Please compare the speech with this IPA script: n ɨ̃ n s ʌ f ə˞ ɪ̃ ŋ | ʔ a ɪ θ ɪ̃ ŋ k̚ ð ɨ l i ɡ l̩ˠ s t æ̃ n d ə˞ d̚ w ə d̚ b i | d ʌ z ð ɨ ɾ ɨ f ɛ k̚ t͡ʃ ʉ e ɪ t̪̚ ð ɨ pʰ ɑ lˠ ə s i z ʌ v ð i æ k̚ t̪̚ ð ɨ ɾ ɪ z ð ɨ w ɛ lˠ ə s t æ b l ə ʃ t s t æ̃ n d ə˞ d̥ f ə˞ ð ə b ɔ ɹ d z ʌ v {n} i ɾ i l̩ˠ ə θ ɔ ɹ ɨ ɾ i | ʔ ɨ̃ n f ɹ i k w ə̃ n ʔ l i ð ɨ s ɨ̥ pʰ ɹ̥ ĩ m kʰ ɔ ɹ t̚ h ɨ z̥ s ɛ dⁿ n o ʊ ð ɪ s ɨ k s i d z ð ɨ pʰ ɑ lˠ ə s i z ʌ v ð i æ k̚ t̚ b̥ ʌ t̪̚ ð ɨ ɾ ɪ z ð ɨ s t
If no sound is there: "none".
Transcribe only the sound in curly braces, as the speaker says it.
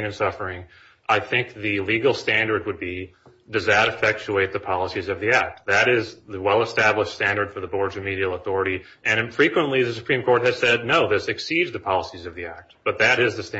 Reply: m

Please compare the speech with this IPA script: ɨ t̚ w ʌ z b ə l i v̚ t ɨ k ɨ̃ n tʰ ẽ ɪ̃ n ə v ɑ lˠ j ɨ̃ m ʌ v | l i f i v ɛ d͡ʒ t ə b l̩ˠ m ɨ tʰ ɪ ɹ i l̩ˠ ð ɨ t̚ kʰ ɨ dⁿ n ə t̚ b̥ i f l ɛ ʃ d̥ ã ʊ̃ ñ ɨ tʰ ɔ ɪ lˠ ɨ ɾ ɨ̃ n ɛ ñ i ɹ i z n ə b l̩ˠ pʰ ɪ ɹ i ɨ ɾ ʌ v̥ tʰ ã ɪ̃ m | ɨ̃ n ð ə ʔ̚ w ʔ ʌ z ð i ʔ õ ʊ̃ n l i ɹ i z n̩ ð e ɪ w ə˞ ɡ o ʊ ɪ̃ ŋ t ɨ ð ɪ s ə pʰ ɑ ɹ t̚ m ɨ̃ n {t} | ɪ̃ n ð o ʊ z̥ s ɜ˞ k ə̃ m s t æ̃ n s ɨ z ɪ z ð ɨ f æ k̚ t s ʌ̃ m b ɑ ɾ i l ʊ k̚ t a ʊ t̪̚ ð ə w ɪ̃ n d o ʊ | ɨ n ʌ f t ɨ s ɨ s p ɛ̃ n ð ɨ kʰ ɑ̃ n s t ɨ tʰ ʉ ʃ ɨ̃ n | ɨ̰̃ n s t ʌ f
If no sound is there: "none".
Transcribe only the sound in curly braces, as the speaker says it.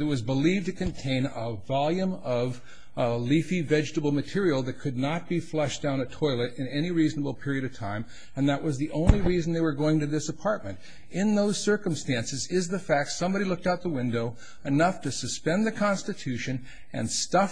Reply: t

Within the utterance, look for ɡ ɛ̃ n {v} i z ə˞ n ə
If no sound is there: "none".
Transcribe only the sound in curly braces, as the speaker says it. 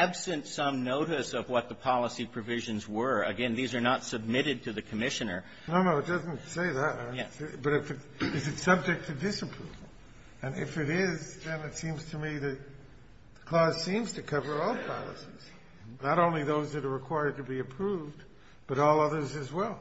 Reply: ð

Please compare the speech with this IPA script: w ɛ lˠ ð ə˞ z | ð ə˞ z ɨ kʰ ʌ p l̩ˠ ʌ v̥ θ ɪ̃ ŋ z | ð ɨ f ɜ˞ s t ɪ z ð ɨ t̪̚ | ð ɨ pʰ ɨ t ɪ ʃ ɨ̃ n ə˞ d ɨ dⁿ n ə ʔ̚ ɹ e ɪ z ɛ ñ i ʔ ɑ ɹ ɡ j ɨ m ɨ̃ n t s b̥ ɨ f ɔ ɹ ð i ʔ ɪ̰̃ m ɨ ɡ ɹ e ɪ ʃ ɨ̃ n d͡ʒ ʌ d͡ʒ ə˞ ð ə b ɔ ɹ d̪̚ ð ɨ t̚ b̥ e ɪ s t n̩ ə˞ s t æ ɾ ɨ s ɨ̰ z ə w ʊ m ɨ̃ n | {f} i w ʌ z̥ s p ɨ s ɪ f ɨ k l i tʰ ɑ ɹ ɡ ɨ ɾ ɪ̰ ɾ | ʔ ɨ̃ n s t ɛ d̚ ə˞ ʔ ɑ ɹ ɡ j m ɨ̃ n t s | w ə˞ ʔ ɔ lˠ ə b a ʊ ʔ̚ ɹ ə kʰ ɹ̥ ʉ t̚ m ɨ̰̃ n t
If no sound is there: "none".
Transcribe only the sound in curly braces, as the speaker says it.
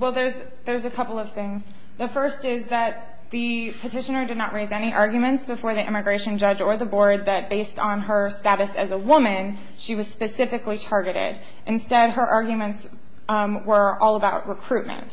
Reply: ʃ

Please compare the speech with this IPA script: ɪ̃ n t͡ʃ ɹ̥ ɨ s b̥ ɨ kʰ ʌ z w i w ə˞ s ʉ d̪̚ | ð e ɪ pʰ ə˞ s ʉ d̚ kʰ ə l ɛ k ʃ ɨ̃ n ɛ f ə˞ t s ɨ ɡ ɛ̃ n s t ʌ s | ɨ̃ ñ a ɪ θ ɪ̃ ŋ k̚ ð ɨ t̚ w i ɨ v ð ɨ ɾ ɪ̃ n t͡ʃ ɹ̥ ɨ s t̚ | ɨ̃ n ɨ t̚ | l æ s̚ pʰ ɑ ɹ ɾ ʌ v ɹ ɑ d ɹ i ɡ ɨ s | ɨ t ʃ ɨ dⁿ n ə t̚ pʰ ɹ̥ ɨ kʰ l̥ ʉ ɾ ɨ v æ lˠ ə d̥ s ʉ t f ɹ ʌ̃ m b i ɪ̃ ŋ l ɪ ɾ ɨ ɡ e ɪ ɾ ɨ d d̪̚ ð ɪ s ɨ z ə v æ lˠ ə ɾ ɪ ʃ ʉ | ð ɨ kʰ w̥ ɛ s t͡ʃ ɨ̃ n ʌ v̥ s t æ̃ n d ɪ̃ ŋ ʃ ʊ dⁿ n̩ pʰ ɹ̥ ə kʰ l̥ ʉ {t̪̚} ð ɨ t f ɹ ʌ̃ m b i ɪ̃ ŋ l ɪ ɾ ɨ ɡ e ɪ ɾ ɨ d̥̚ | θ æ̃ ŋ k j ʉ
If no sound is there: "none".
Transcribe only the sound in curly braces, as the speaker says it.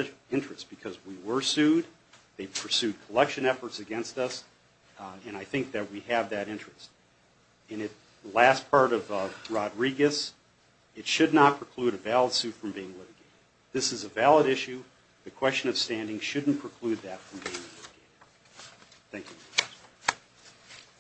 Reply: d̪̚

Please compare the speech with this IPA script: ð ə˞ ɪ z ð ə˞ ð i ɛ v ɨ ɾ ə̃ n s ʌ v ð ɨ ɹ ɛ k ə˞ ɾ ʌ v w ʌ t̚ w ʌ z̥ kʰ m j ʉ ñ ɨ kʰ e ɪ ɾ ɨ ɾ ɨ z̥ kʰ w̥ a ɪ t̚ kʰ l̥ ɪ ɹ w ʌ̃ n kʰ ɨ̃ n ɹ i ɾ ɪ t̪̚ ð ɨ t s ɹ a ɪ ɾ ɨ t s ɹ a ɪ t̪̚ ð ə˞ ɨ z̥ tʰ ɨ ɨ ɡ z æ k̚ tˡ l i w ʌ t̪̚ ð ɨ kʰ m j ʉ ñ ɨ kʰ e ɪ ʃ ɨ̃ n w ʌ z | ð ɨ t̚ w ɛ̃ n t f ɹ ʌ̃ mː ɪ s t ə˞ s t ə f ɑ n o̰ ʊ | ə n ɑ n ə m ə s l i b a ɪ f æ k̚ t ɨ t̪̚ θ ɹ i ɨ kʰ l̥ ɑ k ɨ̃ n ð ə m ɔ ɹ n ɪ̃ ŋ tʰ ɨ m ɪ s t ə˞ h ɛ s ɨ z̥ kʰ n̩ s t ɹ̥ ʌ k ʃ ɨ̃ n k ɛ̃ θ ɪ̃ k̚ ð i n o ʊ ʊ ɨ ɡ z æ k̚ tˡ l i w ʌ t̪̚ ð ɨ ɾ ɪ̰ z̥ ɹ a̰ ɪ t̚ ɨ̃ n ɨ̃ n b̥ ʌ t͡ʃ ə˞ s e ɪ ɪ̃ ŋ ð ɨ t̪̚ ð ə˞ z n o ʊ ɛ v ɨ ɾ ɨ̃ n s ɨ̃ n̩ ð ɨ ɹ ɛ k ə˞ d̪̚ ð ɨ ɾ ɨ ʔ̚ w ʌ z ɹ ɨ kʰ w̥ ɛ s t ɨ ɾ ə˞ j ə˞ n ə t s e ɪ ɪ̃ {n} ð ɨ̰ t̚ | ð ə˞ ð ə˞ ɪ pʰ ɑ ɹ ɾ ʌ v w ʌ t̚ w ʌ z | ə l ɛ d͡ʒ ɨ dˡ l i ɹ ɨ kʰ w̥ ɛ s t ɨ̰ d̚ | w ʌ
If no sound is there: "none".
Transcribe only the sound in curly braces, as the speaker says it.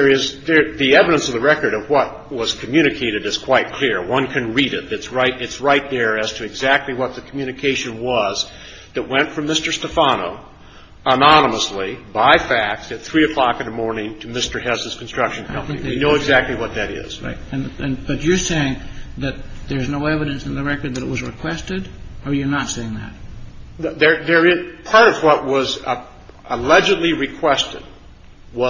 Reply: ŋ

